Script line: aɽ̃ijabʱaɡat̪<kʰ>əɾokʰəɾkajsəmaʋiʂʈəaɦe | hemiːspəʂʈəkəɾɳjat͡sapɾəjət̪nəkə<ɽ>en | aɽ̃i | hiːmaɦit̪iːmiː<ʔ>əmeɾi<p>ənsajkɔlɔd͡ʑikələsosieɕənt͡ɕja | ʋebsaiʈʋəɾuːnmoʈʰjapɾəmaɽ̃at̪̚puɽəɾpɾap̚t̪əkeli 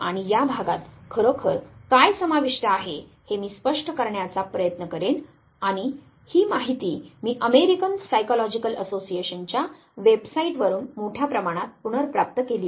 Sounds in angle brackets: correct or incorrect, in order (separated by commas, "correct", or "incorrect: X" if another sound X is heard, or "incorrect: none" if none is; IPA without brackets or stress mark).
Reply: correct, incorrect: ɾ, correct, incorrect: k